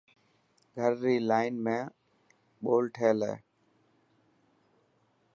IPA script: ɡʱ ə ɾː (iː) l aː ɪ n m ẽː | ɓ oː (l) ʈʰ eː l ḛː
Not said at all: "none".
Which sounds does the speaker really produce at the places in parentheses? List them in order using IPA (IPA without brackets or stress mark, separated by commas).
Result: iː, l